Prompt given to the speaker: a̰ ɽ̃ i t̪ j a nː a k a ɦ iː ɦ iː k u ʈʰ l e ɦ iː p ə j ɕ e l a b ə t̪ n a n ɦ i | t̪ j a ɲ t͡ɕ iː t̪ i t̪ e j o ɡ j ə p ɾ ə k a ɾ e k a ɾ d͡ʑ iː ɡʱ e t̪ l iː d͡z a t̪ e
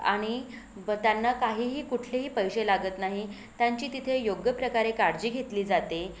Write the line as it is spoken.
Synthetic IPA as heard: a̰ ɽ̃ i t̪ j a nː a k a ɦ iː ɦ iː k u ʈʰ l e ɦ iː p ə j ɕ e l a ɡ ə t̪ n a ɦ i | t̪ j a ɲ t͡ɕ iː t̪ i t̪ʰ e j o ɡ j ə p ɾ ə k a ɾ e k a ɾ d͡ʑ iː ɡʱ e t̪ l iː d͡z a t̪ e